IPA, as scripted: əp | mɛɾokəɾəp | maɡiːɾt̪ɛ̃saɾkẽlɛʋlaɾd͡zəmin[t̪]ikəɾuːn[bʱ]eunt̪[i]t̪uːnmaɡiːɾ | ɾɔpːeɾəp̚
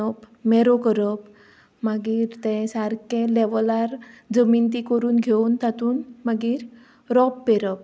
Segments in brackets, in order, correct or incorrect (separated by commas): correct, incorrect, incorrect